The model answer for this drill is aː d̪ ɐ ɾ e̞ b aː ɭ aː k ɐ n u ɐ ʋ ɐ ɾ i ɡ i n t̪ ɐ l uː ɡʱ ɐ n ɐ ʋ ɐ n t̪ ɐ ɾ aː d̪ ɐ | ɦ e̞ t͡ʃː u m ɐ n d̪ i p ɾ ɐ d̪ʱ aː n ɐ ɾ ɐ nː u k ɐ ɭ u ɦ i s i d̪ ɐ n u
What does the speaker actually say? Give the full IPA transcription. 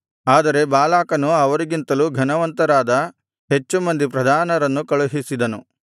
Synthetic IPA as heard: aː d̪ ɐ ɾ e̞ b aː l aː k ɐ n u ɐ ʋ ɐ ɾ i ɡ i n t̪ ɐ l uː ɡʱ ɐ n ɐ ʋ ɐ n t̪ ɐ ɾ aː d̪ ɐ | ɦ e̞ t͡ʃː u m ɐ n d̪ i p ɾ ɐ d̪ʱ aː n ɐ ɾ ɐ nː u k ɐ ɭ u ɦ i s i d̪ ɐ n u